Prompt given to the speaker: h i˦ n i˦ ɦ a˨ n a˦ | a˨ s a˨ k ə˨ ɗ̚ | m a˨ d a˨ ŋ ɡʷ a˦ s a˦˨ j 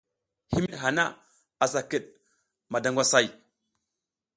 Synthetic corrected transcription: h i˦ m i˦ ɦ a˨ n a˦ | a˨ s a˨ k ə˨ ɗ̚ | m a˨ d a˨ ŋ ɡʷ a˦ s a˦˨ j